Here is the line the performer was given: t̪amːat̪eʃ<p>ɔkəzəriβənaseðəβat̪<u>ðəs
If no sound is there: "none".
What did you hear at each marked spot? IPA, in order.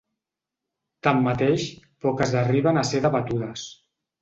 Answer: p, u

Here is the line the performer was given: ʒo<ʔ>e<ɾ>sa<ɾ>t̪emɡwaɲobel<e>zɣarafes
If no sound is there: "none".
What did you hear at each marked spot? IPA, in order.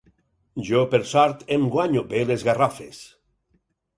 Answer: p, ɾ, ɾ, e

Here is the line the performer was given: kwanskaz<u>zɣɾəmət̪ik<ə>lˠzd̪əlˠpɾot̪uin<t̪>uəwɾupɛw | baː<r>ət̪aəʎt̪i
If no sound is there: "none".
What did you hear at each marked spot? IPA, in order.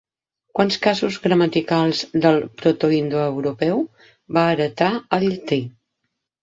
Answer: u, a, d̪, ɾ

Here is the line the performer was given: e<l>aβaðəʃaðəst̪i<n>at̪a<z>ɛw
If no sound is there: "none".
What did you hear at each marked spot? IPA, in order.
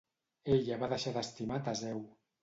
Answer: ʎ, m, z

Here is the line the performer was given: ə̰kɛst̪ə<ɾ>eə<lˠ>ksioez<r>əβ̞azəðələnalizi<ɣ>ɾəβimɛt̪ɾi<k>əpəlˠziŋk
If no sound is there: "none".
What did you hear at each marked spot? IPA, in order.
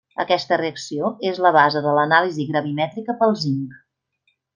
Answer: r, none, l, ɣ, k

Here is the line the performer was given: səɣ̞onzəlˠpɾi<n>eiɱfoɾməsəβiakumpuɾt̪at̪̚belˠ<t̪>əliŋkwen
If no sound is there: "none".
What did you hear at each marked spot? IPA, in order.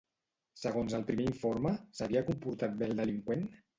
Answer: m, d̪

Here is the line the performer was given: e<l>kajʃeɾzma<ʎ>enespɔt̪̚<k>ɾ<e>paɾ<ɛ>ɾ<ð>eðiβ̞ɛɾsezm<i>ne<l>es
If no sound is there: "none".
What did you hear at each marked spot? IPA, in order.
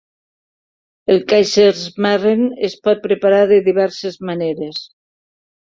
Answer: l, r, p, e, a, ð, a, ɾ

